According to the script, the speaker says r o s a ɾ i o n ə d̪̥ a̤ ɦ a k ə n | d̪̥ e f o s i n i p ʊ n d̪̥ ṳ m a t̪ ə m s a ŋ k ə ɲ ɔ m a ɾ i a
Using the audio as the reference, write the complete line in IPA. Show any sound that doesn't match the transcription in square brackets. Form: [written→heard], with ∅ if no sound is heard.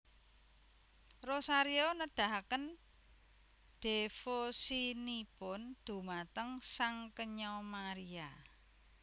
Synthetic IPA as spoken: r o s a ɾ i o n ə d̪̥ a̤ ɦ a k ə n | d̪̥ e f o s i n i p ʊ n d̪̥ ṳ m a t̪ ə [m→ŋ] s a ŋ k ə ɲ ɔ m a ɾ i a